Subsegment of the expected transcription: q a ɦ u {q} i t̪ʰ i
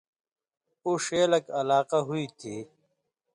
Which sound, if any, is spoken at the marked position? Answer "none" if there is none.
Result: none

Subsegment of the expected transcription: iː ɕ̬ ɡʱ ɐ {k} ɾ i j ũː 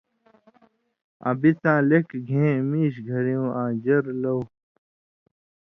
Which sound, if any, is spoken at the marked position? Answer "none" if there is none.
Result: none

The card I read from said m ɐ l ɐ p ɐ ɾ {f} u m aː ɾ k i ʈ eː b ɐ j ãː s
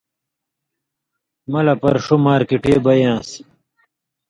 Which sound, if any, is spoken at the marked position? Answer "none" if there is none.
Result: ʂ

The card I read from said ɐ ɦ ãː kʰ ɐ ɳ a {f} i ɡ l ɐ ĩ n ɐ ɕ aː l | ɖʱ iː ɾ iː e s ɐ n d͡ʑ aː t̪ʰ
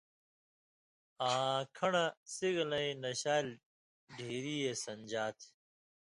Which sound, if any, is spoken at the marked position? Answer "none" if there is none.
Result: s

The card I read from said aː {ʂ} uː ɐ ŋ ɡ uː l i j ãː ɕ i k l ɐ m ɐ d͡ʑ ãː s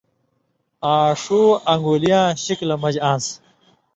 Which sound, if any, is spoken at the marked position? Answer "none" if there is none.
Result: ʂ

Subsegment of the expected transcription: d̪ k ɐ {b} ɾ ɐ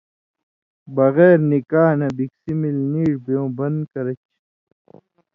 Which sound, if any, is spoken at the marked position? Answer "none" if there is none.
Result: none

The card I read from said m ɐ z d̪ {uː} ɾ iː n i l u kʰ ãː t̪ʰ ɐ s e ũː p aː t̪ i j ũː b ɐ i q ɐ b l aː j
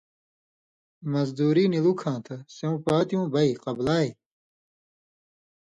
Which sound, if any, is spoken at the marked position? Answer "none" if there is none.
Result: uː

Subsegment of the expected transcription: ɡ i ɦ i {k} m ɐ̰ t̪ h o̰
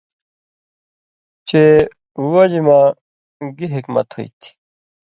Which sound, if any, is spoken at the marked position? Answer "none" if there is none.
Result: k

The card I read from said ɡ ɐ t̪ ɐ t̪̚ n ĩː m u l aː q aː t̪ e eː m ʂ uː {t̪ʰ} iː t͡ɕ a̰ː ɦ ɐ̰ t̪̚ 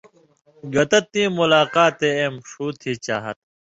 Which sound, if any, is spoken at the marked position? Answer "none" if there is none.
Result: t̪ʰ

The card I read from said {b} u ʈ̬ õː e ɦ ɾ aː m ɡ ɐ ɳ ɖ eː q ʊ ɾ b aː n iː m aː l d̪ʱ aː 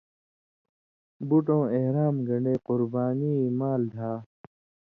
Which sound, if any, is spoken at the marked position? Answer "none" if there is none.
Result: b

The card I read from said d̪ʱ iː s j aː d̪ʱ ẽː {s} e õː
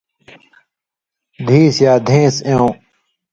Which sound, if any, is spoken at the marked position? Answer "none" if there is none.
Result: s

